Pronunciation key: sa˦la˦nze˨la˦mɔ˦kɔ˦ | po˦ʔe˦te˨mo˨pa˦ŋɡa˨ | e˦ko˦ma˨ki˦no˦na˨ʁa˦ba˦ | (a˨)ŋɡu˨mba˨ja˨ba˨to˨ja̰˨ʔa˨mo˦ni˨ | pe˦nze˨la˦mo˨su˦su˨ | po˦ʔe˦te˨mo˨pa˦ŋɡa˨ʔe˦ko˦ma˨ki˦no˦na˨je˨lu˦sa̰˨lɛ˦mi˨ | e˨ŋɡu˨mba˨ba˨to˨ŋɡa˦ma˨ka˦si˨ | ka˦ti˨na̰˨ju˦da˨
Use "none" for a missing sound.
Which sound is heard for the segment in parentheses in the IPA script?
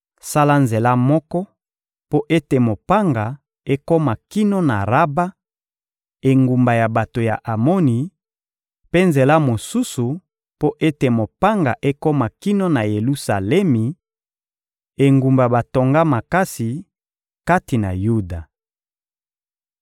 e˨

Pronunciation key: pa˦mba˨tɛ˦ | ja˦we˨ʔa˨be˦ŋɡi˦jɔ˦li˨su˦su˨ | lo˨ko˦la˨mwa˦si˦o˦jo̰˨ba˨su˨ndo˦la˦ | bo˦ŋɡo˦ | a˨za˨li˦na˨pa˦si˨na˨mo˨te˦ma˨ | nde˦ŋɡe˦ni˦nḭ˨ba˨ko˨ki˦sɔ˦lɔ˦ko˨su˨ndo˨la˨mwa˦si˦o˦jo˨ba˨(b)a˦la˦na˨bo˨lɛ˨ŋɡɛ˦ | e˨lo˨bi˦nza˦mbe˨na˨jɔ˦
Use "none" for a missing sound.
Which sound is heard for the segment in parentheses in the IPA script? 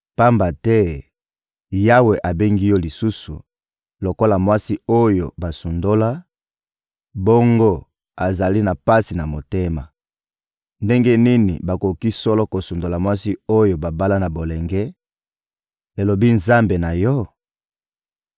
b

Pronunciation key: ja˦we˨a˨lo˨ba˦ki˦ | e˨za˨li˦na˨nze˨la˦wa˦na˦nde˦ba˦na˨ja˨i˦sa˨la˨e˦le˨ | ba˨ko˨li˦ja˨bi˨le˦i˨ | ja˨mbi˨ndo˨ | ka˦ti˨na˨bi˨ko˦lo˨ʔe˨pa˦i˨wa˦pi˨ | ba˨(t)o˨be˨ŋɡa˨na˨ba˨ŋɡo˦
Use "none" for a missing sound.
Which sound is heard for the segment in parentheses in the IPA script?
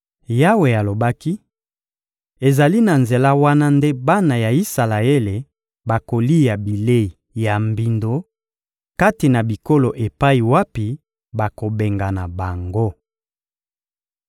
k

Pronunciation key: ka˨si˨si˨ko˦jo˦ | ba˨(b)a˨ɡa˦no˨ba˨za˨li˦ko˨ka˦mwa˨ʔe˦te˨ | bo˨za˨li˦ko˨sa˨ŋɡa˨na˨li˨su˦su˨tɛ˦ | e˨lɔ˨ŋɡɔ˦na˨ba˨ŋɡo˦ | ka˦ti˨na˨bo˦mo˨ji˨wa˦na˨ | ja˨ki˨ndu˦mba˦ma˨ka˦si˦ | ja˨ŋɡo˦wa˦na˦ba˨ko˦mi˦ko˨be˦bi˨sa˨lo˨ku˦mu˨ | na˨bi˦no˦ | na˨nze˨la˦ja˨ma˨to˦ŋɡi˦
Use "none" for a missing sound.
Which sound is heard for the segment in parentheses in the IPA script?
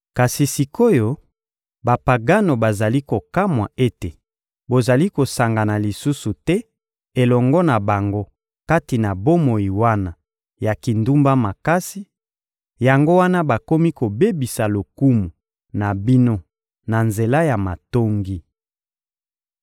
p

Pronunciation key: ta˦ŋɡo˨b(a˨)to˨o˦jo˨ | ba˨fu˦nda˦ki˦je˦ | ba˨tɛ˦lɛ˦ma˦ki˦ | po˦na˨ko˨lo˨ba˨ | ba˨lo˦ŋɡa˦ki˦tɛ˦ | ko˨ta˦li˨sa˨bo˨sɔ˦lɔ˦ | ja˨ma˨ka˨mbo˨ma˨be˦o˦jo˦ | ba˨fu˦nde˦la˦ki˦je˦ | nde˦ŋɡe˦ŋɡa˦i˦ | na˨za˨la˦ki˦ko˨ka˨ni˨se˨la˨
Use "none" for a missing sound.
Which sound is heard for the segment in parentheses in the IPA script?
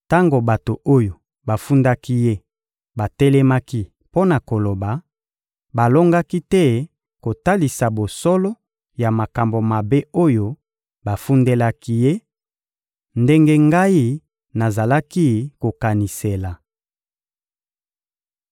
a˨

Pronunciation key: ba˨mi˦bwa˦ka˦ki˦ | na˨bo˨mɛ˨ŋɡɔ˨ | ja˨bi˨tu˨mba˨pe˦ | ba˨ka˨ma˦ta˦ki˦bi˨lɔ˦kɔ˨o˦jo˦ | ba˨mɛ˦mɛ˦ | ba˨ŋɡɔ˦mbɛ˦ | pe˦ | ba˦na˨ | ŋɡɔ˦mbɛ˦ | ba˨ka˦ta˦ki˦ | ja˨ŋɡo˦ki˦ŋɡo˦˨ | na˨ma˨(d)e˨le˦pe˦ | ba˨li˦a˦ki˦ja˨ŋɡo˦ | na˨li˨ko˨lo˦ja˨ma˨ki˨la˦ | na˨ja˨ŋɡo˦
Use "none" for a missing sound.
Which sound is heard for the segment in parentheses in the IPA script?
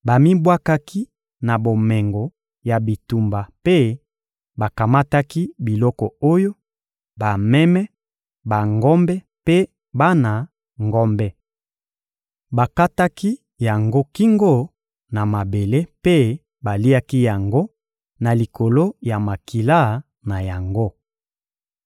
b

